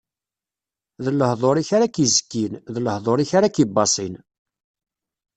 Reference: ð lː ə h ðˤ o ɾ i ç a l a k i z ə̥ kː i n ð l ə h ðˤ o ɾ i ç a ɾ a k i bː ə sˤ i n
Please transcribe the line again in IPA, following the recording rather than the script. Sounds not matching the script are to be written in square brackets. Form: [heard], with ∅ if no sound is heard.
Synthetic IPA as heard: ð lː ə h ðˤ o ɾ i ç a [ɾ] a k i z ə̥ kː i n ð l ə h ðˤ o ɾ i ç a ɾ a k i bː [ɑ] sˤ i n